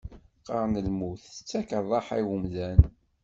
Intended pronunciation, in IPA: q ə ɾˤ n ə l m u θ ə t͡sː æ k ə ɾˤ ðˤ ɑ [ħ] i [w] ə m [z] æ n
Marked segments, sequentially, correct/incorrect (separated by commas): correct, correct, incorrect